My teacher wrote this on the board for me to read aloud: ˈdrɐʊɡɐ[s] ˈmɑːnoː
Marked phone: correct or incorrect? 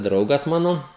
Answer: correct